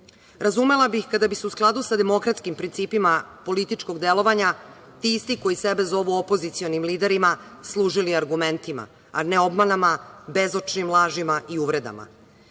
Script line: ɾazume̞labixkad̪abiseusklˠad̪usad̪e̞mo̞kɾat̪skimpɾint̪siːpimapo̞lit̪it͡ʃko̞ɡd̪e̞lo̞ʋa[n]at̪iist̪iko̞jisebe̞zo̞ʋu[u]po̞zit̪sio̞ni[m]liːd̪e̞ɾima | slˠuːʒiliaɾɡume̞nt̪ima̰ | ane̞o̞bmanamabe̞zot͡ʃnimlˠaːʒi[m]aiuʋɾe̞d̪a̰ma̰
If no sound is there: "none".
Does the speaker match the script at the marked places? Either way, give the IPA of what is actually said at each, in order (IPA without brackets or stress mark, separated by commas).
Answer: ɲ, o, m, m